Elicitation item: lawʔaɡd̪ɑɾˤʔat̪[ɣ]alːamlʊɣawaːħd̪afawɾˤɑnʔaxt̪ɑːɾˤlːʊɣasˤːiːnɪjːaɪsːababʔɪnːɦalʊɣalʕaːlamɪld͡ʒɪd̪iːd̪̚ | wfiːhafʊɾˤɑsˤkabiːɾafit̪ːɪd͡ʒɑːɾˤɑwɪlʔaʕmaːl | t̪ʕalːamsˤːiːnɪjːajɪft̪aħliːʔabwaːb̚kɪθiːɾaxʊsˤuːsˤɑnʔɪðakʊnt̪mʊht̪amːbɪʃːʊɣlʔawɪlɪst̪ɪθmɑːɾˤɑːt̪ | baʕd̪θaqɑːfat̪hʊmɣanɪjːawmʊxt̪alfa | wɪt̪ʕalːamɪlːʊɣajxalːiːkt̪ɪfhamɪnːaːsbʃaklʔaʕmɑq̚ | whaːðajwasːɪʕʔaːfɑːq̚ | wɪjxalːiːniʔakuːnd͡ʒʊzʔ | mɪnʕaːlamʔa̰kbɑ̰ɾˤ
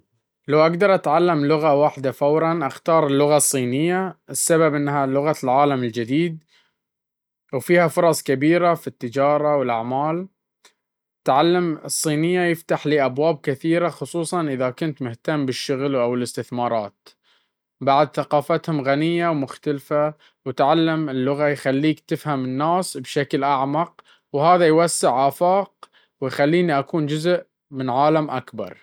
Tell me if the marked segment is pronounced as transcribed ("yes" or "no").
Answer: no